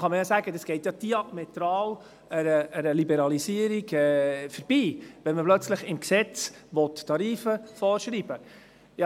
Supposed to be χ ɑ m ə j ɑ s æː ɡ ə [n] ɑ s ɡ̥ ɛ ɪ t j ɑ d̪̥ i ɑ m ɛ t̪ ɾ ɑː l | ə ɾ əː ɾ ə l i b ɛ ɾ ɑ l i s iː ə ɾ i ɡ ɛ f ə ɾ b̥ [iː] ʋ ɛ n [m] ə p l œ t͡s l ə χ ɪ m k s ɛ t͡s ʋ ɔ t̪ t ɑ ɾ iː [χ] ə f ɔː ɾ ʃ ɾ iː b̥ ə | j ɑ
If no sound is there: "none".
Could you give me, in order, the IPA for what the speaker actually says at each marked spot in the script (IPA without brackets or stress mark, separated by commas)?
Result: d, iː, m, f